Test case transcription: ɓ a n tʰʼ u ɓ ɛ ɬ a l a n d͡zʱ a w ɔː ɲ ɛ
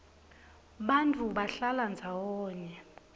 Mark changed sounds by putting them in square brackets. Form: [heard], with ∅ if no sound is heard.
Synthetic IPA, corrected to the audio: ɓ a n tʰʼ u ɓ [a] ɬ a l a n d͡zʱ a w ɔː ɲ ɛ

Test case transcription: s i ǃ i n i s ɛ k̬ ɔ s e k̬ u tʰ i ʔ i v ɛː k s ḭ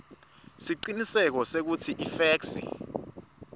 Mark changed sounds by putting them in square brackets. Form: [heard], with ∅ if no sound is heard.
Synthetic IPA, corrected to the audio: s i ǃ i n i s ɛ k̬ ɔ s e k̬ u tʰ i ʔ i [f] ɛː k s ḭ

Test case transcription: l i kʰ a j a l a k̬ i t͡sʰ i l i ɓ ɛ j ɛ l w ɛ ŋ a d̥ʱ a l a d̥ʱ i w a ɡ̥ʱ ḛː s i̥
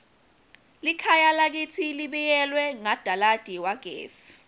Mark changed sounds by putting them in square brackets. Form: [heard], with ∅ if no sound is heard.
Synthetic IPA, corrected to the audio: l i kʰ a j a l a k̬ i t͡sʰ i l i ɓ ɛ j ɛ l w ɛ ŋ a d̥ʱ a l a d̥ʱ i w a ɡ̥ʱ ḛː s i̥

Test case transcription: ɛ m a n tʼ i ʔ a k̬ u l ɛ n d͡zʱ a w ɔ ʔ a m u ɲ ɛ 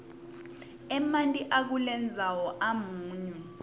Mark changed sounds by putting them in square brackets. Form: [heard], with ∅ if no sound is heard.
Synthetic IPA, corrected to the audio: ɛ m a n tʼ i ʔ a k̬ u l ɛ n d͡zʱ a w ɔ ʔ a m [uː] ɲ ɛ

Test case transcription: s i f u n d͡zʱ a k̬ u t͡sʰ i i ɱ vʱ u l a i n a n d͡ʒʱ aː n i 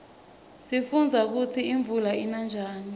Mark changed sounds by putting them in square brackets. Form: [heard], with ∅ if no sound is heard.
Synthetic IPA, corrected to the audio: s i f u n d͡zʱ a k̬ u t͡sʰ i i ɱ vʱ u l a i n a n d͡ʒʱ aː n i

